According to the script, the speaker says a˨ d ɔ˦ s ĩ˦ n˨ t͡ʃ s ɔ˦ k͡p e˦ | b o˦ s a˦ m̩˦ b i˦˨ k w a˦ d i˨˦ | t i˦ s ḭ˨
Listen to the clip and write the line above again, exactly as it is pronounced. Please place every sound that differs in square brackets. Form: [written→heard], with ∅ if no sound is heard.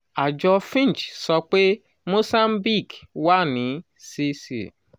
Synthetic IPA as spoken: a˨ [d→d͡ʒ] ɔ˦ [s→f] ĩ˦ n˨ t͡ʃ s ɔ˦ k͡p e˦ | [b→m] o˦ s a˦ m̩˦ b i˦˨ k w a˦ [d→n] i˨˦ | [t→s] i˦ s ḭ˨

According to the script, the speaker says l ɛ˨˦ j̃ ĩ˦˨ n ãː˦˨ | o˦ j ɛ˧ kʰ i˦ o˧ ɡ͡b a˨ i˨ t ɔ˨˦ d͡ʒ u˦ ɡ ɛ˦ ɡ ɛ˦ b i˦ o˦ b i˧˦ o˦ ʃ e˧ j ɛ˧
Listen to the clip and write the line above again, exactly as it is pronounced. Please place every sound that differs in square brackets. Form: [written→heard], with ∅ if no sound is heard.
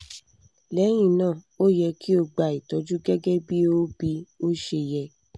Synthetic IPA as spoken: l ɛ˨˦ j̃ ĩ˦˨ n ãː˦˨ | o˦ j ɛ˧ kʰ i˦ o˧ ɡ͡b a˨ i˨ t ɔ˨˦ d͡ʒ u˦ ɡ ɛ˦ ɡ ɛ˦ b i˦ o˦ b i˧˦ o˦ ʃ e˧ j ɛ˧

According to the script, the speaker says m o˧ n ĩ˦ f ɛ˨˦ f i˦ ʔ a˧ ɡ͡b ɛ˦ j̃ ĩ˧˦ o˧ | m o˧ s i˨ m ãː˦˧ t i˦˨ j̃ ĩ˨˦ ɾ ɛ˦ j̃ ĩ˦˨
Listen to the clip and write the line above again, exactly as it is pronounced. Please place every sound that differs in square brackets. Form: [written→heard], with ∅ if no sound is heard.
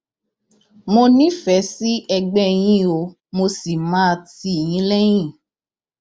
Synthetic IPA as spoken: m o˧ n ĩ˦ f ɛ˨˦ [f→s] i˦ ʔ [a˧→ɛ˧] ɡ͡b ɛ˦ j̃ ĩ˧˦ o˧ | m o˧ s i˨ m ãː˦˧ t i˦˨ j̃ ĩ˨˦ [ɾ→l] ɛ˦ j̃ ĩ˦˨

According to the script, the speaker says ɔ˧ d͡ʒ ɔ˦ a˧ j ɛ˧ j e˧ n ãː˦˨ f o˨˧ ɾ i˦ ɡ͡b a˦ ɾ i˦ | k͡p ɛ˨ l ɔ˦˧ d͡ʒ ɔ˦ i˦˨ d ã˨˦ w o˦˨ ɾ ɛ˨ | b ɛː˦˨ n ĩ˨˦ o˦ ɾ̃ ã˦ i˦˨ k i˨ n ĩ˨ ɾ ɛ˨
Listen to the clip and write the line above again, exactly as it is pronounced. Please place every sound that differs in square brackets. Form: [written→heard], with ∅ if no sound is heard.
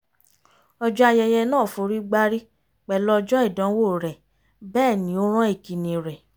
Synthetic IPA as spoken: ɔ˧ d͡ʒ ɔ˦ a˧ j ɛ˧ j [e˧→ɛ˧] n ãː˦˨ f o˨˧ ɾ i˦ ɡ͡b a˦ ɾ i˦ | k͡p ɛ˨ l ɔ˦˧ d͡ʒ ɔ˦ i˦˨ d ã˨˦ w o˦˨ ɾ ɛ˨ | b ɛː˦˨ n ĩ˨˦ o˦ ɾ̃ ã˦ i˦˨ k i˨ n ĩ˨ ɾ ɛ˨

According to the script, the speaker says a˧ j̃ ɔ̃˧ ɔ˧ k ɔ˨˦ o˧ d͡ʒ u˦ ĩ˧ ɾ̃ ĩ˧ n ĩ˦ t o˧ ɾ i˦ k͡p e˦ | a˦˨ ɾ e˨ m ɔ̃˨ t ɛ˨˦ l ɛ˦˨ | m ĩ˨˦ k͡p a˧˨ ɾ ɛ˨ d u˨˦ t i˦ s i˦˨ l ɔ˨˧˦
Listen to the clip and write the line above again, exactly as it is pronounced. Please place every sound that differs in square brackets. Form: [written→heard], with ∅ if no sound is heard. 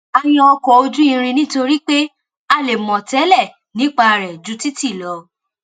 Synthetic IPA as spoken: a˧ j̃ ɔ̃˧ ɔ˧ k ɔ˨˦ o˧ d͡ʒ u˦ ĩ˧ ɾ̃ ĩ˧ n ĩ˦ t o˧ ɾ i˦ k͡p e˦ | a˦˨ [ɾ→l] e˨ m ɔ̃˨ t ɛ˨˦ l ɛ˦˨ | [m→n] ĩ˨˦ k͡p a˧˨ ɾ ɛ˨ [d→d͡ʒ] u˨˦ t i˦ [s→t] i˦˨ l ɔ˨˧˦

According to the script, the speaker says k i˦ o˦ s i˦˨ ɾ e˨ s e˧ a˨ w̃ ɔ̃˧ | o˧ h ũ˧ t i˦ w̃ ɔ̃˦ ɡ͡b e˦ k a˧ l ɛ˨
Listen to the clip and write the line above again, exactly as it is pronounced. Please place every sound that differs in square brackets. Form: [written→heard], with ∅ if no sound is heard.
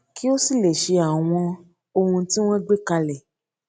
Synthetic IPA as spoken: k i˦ o˦ s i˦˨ [ɾ→l] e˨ [s→ʃ] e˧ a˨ w̃ ɔ̃˧ | o˧ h ũ˧ t i˦ w̃ ɔ̃˦ ɡ͡b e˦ k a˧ l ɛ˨

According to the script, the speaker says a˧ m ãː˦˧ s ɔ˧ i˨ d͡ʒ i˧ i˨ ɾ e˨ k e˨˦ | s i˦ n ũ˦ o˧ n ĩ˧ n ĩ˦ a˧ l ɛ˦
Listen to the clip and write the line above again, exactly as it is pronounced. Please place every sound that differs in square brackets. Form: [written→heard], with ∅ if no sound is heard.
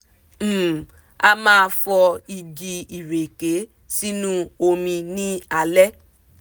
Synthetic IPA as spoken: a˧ m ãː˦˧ [s→f] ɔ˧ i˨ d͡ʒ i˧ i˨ ɾ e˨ k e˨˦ | s i˦ n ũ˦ o˧ [n→m] ĩ˧ n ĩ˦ a˧ l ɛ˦

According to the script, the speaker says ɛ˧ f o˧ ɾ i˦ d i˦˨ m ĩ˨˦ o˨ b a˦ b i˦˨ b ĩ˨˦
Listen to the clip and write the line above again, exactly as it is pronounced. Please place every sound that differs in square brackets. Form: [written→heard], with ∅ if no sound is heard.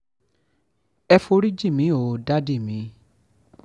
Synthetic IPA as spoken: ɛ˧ f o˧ ɾ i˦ [d→d͡ʒ] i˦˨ m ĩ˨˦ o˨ [b→d] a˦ [b→d] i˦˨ [b→m] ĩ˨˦

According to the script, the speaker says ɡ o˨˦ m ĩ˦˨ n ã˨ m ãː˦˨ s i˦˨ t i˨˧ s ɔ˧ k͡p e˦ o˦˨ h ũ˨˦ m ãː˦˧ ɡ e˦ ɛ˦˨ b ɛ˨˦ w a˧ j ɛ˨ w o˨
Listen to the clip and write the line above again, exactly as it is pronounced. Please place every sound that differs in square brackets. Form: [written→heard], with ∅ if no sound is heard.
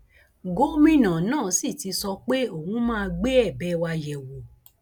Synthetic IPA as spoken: ɡ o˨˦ m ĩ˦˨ n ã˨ [m→n] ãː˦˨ s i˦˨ t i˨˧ s ɔ˧ k͡p e˦ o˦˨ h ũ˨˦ m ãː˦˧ [ɡ→ɡ͡b] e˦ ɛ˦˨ b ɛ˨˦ w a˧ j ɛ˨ w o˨

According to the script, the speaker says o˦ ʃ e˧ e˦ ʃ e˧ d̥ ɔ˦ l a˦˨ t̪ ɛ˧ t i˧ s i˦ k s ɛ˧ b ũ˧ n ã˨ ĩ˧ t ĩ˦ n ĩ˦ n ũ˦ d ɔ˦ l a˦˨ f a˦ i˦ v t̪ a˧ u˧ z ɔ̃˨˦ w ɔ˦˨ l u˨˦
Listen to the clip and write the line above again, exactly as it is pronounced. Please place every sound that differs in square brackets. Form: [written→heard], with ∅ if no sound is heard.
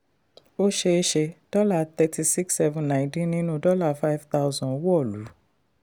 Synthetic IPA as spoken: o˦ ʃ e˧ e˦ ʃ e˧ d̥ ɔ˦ l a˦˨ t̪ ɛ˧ t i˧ s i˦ k s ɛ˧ [b→v] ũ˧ n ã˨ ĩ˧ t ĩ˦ n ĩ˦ n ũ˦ d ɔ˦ l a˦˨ f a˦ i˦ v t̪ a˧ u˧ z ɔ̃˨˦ w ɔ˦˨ l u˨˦

